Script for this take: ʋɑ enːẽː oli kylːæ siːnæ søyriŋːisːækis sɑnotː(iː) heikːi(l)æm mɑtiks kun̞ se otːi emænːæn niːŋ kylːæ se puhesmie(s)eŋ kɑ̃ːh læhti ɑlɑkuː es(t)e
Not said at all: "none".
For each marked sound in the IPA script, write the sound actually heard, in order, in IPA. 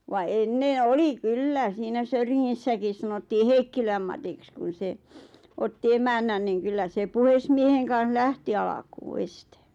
iː, l, h, t

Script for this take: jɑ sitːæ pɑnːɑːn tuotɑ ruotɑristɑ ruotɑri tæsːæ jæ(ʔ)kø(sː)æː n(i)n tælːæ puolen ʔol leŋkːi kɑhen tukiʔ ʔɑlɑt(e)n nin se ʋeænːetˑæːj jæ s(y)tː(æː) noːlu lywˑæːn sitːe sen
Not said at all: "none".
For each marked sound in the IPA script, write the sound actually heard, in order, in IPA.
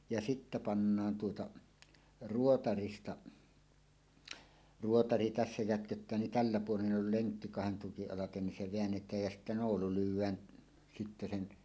t, tː, i, e, i, æ

